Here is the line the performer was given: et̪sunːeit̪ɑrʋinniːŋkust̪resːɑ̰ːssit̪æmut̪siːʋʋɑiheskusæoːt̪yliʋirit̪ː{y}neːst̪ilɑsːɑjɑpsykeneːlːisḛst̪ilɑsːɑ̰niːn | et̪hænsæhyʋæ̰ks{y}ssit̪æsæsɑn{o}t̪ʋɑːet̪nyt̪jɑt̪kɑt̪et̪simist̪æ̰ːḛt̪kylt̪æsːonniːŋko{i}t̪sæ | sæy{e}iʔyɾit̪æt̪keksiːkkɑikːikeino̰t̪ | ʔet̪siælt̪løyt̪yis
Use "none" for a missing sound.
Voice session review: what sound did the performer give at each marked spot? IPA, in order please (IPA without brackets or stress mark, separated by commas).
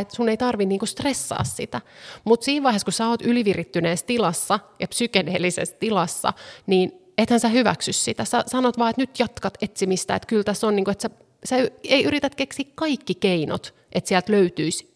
y, y, o, e, e